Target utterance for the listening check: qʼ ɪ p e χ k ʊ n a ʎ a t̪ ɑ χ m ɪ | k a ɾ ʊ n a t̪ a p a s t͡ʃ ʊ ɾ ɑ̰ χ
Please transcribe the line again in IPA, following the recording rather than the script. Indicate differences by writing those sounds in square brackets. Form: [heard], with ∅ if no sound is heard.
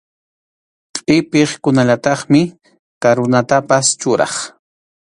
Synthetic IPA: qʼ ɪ p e χ k ʊ n a ʎ a t̪ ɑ χ m ɪ | k a ɾ ʊ n a t̪ a p a s t͡ʃ ʊ ɾ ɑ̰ χ